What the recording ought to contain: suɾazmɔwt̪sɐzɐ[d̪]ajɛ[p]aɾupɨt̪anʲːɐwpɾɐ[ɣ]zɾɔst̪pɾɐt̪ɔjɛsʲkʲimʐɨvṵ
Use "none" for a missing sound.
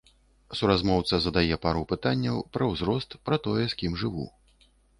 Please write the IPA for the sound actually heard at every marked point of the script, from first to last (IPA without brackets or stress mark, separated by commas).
d̪, p, w